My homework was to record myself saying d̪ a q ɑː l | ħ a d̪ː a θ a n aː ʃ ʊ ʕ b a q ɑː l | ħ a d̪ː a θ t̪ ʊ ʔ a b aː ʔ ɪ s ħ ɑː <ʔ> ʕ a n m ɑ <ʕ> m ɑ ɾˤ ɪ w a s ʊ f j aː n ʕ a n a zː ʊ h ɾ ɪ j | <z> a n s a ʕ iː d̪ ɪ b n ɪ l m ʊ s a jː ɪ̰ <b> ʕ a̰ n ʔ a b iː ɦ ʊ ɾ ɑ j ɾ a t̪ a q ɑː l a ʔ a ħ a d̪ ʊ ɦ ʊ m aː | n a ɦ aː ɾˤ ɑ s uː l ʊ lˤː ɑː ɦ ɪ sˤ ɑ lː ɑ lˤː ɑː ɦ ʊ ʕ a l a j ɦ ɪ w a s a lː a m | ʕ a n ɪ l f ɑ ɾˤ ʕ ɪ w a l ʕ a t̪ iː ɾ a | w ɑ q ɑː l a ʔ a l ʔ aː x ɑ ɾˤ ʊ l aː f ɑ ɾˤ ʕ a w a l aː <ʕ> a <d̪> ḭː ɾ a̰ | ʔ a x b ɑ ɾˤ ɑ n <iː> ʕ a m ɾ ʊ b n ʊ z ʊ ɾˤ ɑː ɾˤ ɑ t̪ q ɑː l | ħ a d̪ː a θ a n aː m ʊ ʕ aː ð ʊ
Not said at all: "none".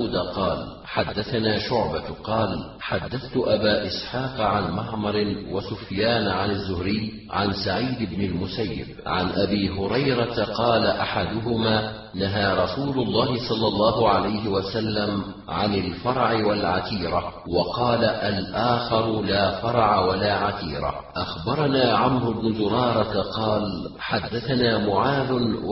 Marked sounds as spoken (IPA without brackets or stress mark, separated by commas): q, ʕ, ʕ, b, ʕ, t̪, aː